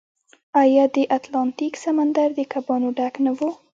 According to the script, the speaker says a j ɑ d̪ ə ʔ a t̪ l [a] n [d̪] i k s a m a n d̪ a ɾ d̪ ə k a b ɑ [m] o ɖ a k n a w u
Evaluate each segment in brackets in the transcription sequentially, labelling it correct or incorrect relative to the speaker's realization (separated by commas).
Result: incorrect, incorrect, incorrect